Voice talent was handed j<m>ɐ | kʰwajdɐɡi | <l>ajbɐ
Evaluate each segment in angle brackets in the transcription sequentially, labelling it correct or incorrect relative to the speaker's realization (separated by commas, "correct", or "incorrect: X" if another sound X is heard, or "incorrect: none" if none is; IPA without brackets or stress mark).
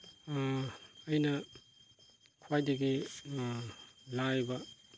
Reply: incorrect: n, correct